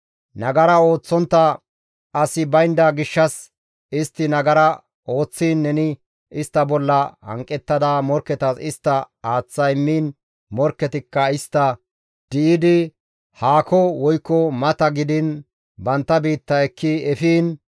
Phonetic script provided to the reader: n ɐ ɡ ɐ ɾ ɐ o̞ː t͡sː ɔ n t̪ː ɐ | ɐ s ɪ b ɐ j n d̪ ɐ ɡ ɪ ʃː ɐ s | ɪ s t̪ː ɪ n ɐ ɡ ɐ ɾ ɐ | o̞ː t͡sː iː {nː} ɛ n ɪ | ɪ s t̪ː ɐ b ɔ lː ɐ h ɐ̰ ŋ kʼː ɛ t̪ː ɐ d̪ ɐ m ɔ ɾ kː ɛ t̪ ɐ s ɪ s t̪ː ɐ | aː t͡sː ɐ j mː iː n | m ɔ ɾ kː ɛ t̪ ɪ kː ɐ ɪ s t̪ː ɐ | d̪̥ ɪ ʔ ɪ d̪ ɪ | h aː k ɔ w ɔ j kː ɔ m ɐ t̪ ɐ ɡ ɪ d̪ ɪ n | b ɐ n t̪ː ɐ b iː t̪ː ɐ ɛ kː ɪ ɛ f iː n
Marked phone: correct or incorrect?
correct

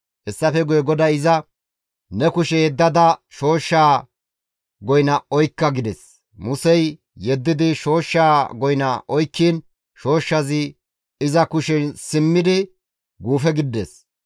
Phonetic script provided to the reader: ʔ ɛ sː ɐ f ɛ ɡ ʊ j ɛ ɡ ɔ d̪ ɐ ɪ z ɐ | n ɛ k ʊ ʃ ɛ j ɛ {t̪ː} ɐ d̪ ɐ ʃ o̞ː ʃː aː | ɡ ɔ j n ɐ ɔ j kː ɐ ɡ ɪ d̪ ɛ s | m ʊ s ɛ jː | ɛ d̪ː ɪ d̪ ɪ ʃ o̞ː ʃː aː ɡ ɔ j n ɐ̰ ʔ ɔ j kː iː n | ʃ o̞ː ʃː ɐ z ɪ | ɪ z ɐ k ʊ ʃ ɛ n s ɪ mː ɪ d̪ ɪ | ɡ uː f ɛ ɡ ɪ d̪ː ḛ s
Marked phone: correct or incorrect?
incorrect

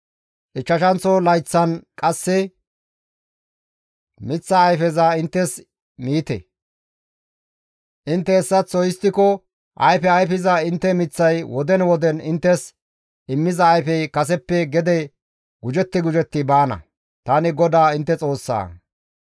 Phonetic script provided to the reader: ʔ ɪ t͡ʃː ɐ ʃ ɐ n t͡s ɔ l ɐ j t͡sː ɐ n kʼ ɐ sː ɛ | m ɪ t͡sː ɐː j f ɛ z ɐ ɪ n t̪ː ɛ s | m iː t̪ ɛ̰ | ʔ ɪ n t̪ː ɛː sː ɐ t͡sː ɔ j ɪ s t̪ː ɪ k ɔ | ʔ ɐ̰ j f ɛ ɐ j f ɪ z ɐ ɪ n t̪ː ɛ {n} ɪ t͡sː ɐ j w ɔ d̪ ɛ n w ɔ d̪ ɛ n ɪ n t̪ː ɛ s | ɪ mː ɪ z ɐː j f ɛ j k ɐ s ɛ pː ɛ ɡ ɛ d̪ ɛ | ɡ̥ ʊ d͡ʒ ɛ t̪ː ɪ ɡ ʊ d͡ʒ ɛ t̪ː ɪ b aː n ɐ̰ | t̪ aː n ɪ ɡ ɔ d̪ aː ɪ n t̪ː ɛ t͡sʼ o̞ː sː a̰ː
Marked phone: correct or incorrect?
incorrect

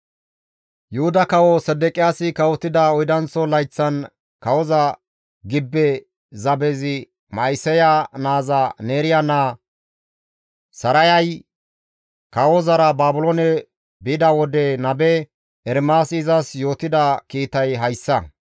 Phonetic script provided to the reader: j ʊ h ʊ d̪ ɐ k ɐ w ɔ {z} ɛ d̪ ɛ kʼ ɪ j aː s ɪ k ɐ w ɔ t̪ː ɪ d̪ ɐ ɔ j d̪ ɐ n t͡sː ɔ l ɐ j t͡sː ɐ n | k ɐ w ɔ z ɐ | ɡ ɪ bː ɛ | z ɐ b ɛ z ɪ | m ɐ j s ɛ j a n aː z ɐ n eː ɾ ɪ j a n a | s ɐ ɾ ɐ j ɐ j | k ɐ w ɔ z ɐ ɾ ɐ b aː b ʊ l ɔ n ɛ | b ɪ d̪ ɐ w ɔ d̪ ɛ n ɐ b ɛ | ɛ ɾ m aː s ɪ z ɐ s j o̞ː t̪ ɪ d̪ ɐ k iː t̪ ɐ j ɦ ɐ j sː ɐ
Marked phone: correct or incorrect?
incorrect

